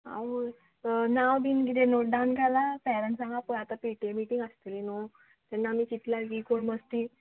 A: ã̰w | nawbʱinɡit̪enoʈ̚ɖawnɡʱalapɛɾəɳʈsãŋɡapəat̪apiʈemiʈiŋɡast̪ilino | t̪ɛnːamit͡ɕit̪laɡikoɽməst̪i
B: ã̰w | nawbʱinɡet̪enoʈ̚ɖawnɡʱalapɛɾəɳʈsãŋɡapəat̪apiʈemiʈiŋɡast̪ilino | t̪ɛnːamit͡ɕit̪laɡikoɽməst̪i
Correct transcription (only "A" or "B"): A